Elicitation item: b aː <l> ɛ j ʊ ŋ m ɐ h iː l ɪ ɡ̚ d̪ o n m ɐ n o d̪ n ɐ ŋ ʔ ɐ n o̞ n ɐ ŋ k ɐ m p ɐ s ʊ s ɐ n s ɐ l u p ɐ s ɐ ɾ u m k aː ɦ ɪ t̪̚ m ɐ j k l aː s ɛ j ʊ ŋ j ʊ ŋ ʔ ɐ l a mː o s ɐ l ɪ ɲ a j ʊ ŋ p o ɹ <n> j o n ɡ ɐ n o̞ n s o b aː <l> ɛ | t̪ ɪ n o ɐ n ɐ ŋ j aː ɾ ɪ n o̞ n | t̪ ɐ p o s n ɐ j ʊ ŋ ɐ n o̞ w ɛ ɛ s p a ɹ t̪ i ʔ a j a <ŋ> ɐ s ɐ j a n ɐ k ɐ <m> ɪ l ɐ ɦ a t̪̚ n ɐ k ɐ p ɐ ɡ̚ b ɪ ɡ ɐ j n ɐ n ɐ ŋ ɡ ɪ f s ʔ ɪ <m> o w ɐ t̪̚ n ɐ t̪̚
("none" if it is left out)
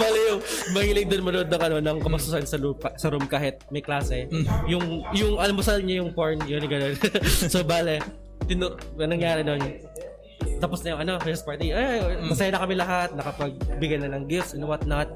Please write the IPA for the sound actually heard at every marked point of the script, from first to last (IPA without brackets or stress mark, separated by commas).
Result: l, n, l, m, m, n